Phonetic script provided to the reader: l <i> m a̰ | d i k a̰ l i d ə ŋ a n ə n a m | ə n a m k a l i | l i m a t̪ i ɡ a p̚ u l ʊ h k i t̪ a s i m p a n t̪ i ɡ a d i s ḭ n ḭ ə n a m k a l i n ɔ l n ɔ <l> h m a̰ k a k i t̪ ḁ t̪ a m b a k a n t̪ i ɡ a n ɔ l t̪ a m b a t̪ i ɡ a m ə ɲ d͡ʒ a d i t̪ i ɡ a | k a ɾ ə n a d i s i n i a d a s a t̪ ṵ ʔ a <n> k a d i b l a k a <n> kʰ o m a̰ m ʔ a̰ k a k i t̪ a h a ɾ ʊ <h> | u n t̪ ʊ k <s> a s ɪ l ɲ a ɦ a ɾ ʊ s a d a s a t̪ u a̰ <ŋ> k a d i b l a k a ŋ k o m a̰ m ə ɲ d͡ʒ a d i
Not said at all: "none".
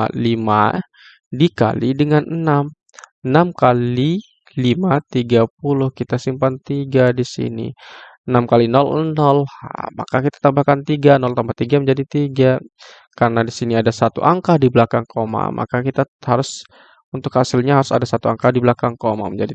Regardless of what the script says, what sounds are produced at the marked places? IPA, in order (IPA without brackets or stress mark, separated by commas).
i, l, ŋ, ŋ, s, h, ŋ